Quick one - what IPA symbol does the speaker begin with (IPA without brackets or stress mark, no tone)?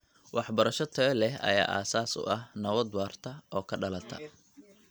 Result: w